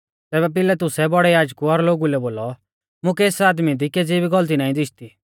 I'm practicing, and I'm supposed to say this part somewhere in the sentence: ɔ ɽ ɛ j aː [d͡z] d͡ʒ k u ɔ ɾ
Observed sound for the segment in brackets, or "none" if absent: none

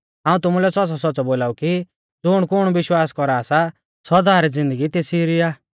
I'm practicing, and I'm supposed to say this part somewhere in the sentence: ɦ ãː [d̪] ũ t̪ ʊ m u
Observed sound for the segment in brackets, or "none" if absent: none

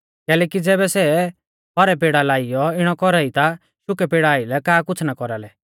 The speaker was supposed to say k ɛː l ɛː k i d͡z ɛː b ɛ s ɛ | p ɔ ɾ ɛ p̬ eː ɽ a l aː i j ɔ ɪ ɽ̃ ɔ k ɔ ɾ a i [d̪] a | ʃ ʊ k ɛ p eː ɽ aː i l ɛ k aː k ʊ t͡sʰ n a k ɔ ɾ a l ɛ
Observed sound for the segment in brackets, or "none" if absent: t̪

